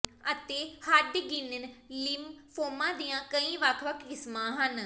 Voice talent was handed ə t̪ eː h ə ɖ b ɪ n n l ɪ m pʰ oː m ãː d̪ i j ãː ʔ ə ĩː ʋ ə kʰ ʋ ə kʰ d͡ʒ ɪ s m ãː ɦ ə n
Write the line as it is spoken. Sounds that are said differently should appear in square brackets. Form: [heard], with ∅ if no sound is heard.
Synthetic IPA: ə t̪ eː h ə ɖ [ɡ] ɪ n n l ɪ m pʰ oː m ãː d̪ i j ãː [k] ə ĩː ʋ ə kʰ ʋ ə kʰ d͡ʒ ɪ s m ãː ɦ ə n